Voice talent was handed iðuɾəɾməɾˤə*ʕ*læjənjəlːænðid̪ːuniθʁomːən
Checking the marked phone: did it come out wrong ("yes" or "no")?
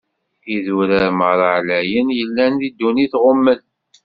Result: no